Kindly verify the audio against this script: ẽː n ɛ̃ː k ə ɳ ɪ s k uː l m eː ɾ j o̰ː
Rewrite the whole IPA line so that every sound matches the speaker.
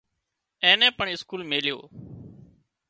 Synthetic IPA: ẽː n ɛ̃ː p ə ɳ ɪ s k uː l m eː l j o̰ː